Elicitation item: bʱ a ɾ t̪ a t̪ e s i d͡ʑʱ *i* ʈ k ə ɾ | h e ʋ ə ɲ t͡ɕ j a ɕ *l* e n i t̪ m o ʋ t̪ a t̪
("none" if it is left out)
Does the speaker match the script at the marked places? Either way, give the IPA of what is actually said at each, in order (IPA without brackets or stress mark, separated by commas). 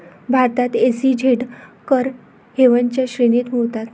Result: e, ɾ